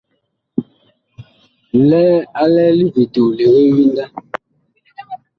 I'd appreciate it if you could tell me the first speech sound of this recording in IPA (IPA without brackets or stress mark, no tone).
l